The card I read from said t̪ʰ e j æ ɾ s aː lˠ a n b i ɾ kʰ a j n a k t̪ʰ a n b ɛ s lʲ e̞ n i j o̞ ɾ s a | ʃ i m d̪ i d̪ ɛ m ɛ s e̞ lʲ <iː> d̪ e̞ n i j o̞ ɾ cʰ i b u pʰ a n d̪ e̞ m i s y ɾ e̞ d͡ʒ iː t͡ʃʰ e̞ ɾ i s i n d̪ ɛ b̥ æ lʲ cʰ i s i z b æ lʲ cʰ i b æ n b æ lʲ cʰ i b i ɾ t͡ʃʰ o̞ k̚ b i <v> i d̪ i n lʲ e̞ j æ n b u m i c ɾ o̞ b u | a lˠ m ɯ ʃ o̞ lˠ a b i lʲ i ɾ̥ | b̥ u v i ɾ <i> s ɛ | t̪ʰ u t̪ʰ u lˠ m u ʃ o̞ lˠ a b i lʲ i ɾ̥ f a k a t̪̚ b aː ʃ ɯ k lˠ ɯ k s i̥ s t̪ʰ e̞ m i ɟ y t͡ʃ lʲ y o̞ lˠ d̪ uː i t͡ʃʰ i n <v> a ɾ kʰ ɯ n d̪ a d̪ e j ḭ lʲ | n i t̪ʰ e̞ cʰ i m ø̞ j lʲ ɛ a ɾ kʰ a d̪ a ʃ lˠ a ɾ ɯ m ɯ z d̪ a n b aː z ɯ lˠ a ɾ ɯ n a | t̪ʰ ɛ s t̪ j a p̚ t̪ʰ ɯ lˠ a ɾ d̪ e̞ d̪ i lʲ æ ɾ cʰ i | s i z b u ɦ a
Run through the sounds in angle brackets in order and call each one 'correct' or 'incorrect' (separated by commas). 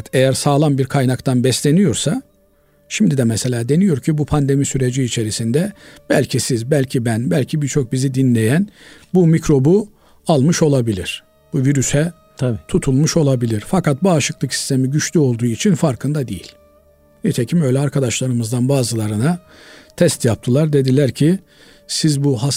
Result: incorrect, incorrect, incorrect, incorrect